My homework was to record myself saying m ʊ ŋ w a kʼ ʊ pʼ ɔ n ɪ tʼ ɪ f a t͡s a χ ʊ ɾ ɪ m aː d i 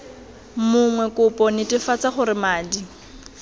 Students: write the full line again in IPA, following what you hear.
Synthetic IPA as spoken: m ʊ ŋ w ɛ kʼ ʊ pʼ ɔ n ɪ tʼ ɪ f a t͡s a χ ʊ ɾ ɪ m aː d i